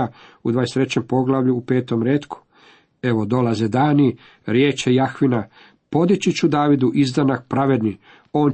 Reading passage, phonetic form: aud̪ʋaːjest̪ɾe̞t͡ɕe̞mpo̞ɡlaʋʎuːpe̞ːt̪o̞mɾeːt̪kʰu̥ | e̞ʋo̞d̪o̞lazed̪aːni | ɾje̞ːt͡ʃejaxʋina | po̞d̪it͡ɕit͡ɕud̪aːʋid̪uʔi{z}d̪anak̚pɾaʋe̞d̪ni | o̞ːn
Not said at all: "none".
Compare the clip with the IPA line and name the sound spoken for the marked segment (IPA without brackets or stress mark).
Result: z